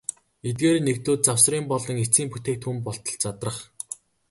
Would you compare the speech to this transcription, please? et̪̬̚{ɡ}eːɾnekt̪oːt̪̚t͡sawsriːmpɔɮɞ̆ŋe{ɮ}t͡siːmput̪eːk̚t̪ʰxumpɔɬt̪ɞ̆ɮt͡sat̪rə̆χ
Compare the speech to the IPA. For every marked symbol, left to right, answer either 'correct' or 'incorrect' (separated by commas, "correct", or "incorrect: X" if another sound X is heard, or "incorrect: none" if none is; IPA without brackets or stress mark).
correct, incorrect: none